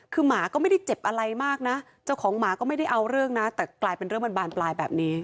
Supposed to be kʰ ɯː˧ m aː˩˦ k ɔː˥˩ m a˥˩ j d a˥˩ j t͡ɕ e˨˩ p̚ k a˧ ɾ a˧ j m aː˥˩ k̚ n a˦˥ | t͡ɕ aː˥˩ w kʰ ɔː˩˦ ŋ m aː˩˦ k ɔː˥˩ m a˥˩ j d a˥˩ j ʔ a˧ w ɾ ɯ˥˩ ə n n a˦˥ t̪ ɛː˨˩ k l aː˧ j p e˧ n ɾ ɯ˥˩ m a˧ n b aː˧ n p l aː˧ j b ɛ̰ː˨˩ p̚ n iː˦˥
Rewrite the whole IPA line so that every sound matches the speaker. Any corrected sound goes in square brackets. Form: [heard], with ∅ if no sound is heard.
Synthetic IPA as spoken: kʰ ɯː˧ m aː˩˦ k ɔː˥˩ m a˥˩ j d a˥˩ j t͡ɕ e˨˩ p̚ [ʔ] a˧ ɾ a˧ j m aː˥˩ k̚ n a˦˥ | t͡ɕ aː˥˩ w kʰ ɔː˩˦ ŋ m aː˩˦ k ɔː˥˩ m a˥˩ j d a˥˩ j ʔ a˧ w ɾ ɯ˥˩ ə [ŋ] n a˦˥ t̪ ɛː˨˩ k l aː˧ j p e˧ n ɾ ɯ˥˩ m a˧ n b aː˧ n p l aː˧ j b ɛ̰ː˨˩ p̚ n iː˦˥

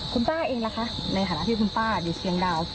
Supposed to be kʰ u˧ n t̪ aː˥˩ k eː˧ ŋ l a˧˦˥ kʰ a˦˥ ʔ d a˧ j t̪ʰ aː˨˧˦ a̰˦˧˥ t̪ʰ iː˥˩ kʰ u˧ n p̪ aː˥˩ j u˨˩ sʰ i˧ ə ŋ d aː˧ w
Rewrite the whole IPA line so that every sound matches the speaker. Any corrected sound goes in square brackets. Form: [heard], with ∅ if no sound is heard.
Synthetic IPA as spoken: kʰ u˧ n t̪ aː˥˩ [ʔ] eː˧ ŋ l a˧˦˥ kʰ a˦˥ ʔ [n] a˧ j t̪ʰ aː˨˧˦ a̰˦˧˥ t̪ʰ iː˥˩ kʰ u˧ n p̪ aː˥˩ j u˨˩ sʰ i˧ ə ŋ d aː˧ w

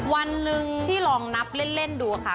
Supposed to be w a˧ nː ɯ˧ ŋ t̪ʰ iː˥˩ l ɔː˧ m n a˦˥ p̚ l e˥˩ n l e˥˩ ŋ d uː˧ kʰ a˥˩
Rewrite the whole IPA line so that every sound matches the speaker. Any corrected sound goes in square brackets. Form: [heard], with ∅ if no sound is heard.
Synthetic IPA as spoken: w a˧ nː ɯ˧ ŋ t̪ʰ iː˥˩ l ɔː˧ [ŋ] n a˦˥ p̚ l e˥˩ n l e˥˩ [n] d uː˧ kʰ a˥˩

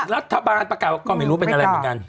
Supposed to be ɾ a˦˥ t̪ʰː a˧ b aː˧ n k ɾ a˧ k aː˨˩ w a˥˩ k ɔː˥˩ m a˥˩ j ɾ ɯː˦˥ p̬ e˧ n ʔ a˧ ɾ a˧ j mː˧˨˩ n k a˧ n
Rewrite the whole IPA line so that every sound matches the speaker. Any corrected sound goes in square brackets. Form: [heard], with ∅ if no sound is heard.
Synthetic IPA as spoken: ɾ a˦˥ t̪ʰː a˧ b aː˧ n [p] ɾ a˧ k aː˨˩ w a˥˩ k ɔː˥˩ m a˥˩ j ɾ [uː˦˥] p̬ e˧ n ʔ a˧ ɾ a˧ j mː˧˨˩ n k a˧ n

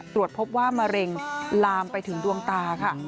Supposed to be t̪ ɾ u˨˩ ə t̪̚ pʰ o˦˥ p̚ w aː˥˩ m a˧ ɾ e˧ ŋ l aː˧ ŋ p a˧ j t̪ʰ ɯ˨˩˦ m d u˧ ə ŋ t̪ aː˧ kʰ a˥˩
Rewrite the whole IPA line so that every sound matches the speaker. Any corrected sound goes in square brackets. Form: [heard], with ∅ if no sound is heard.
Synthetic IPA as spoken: t̪ ɾ u˨˩ ə t̪̚ pʰ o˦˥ p̚ w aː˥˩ m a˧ ɾ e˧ ŋ l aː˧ [m] p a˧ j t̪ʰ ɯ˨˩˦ [ŋ] d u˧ ə ŋ t̪ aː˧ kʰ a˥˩

